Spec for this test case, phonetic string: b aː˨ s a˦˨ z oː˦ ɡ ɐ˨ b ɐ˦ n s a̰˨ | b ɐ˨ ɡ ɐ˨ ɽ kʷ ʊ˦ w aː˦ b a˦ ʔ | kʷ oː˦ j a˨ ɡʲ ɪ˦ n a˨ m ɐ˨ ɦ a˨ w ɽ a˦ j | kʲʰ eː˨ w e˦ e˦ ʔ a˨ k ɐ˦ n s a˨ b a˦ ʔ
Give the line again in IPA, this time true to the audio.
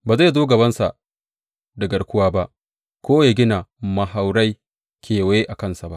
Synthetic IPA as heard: b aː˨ z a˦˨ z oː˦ ɡ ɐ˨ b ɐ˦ n s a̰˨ | d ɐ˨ ɡ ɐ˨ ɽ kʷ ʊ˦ w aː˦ b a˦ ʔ | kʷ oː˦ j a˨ ɡʲ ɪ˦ n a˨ m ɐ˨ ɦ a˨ w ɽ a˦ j | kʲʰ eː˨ w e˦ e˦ ʔ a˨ k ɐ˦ n s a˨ b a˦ ʔ